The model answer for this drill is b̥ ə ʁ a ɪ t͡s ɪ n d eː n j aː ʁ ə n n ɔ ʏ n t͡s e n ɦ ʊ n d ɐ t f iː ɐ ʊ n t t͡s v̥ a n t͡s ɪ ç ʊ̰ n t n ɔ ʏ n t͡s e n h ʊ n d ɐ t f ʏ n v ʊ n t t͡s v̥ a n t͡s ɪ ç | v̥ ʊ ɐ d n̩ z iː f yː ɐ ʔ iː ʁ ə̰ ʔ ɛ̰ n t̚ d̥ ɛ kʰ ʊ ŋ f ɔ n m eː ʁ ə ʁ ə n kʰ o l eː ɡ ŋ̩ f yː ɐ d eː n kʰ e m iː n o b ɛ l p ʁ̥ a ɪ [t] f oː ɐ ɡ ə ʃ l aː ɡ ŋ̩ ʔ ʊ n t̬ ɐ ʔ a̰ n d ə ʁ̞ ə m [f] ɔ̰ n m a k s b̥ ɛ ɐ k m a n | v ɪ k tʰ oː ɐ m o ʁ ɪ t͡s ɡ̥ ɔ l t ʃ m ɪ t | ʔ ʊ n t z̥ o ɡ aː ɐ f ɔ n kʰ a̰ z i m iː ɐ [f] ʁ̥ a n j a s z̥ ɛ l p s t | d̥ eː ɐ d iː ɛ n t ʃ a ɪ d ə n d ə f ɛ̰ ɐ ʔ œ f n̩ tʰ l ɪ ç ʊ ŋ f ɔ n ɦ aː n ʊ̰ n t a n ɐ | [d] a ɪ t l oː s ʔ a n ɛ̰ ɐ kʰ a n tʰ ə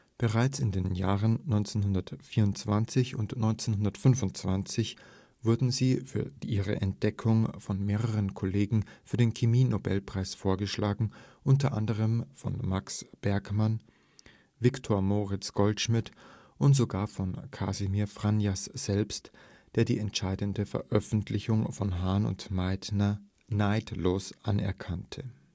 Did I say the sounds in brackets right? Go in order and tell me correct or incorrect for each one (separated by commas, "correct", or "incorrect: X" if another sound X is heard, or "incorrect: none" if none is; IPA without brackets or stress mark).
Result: incorrect: s, correct, correct, incorrect: n